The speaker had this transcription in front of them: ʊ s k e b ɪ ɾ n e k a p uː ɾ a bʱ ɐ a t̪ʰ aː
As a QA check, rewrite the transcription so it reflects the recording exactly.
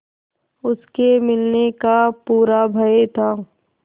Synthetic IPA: ʊ s k e m ɪ l n e k a p uː ɾ a bʱ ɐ e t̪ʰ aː